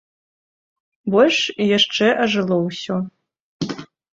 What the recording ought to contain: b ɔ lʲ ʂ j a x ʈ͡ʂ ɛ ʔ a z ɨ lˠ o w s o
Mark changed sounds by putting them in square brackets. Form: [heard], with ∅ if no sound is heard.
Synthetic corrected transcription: b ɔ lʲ ʂ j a [ʂ] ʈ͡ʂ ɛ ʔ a [ʐ] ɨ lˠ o w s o